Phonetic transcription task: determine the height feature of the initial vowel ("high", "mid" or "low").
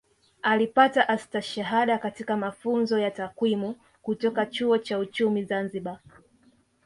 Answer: low